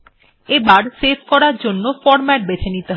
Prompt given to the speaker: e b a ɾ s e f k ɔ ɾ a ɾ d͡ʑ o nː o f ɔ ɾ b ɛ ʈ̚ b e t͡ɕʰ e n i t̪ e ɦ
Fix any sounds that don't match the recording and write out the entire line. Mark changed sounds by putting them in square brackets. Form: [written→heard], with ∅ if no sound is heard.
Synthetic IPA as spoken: e b a ɾ s e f k ɔ ɾ a ɾ d͡ʑ o nː o f ɔ ɾ [b→m] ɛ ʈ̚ b e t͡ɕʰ e n i t̪ e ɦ